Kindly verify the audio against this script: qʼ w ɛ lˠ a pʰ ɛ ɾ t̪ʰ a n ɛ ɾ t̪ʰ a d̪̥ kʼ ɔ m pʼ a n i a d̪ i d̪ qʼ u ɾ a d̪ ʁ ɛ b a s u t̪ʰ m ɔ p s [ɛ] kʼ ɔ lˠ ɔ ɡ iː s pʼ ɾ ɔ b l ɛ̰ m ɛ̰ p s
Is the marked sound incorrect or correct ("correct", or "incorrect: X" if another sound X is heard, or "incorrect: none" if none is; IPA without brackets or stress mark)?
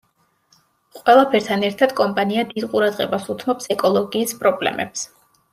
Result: correct